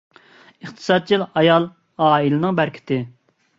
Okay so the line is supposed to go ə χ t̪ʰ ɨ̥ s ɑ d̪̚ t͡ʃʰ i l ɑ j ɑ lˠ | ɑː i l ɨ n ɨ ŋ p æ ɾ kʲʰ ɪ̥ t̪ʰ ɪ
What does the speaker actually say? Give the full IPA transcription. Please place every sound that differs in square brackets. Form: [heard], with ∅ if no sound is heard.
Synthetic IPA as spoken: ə χ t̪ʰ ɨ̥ s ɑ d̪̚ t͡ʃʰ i l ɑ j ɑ lˠ | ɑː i l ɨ n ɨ ŋ [b] æ ɾ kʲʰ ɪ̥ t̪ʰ ɪ